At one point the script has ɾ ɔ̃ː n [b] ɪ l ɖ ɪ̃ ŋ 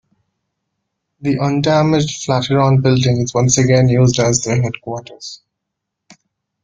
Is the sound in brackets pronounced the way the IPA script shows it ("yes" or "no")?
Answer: yes